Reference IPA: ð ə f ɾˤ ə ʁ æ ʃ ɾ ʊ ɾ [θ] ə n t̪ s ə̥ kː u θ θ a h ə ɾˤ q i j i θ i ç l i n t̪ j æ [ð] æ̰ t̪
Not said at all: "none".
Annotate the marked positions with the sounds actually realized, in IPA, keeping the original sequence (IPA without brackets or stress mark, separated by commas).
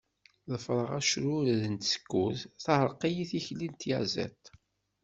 ð, z